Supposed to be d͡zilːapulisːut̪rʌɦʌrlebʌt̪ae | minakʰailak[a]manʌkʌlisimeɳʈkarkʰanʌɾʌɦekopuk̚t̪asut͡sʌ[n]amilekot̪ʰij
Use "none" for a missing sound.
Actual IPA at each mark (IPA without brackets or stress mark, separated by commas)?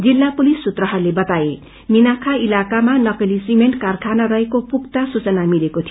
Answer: a, n